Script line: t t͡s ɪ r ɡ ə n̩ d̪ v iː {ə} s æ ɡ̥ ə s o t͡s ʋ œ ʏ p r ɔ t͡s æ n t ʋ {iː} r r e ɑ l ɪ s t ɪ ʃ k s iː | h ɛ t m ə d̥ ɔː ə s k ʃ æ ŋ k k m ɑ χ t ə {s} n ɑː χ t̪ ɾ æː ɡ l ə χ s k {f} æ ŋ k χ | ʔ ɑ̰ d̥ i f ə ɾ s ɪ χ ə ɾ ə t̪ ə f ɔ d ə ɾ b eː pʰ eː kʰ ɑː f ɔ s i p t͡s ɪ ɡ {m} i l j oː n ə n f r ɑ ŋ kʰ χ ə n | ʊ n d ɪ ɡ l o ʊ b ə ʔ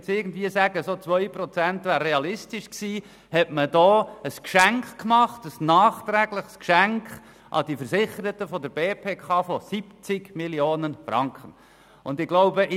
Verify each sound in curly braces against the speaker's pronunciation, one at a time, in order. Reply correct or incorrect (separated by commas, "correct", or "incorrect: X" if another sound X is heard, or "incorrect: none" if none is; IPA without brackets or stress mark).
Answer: correct, incorrect: æː, correct, incorrect: ʃ, correct